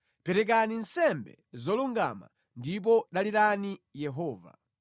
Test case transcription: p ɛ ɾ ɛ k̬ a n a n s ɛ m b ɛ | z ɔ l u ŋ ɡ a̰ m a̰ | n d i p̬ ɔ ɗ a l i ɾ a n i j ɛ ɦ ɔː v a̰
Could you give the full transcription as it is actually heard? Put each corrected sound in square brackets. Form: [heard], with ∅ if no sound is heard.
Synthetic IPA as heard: p ɛ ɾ ɛ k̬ a n [i] n s ɛ m b ɛ | z ɔ l u ŋ ɡ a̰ m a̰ | n d i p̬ ɔ ɗ a l i ɾ a n i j ɛ ɦ ɔː v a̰